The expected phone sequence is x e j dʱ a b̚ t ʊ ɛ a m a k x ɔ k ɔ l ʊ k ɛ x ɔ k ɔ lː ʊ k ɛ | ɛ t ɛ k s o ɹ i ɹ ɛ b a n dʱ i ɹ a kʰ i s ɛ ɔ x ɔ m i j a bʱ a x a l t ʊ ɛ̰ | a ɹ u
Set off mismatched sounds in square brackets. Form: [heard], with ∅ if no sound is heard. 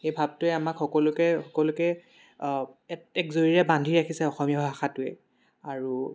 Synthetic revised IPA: x e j [bʱ] a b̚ t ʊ ɛ a m a k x ɔ k ɔ l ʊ k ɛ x ɔ k ɔ [l] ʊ k ɛ | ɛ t ɛ k [z] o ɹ i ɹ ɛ b a n dʱ i ɹ a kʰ i s ɛ ɔ x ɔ m i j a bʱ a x a [∅] t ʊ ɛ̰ | a ɹ u